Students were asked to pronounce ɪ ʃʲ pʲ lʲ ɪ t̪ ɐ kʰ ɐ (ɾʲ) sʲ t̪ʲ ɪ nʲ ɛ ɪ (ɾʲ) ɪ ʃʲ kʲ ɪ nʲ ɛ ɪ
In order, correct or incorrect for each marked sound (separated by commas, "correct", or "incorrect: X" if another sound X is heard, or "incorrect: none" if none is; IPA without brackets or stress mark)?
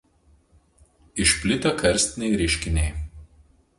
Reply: correct, correct